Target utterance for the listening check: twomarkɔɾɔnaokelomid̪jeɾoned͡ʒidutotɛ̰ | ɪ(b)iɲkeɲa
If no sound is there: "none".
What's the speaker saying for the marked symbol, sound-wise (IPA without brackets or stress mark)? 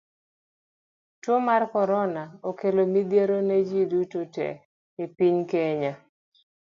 p